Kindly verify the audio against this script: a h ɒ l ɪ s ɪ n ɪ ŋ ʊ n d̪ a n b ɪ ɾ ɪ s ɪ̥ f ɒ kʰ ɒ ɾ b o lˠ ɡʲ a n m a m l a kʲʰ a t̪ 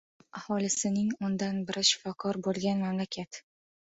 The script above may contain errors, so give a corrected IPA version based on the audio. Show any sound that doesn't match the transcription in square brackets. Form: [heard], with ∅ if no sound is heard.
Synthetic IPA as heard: a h ɒ l ɪ s ɪ n ɪ ŋ ʊ n d̪ a n b ɪ ɾ ɪ [ʃ] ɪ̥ f ɒ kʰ ɒ ɾ b o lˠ ɡʲ a n m a m l a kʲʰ a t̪